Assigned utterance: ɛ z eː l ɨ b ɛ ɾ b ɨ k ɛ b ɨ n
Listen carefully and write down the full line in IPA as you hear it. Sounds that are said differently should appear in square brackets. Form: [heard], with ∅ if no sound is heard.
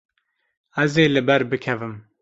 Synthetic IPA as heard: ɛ z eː l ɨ b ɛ ɾ b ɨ [kʰ] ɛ [v] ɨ [m]